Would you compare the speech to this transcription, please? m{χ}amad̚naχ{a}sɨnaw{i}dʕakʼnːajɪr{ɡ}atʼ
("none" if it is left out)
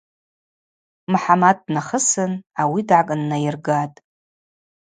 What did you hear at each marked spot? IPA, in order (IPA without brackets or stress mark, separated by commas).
ħ, ə, i, ɡ